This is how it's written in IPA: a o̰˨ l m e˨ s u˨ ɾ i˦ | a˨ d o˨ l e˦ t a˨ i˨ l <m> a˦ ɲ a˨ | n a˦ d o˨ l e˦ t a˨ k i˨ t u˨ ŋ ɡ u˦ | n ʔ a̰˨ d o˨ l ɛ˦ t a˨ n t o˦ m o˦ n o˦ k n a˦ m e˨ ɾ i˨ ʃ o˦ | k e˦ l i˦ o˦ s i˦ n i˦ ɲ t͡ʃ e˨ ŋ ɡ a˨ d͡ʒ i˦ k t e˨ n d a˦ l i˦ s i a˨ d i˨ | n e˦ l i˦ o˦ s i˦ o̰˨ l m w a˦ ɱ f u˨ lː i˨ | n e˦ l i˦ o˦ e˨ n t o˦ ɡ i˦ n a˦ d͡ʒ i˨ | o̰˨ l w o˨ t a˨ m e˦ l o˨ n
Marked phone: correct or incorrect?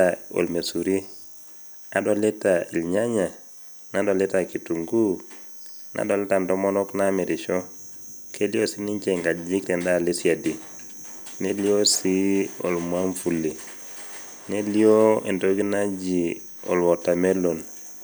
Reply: incorrect